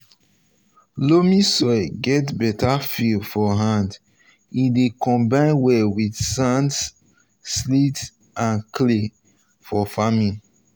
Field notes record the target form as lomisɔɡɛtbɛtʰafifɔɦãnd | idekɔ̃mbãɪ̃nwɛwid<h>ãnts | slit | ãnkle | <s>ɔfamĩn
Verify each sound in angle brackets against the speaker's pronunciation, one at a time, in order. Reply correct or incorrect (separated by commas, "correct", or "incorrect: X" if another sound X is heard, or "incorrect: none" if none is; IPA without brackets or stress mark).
incorrect: s, incorrect: f